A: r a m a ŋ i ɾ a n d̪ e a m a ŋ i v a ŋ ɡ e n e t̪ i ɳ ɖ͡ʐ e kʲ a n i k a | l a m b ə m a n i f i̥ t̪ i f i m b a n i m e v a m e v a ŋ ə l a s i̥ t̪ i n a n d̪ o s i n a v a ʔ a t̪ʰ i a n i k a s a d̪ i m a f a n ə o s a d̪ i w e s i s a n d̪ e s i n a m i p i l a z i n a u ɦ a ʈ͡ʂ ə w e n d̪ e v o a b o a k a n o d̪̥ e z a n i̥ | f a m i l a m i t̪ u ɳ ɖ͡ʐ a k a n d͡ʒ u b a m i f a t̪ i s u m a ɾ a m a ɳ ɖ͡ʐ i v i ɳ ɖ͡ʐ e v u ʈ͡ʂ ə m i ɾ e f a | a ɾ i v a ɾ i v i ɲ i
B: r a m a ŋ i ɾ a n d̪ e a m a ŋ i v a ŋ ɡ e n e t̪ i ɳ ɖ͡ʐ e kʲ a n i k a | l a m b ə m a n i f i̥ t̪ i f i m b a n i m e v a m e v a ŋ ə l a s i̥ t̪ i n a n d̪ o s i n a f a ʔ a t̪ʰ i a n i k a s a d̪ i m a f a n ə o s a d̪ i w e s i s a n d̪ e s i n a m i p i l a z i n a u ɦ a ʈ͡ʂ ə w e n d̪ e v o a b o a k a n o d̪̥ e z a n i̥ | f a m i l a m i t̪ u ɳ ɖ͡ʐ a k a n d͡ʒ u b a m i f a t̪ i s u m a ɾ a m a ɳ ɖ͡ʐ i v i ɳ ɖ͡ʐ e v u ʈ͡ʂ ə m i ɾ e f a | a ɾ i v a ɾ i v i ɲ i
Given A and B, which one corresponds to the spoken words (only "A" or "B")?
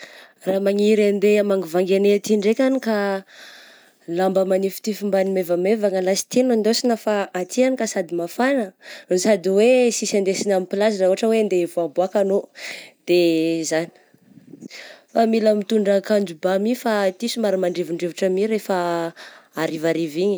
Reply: B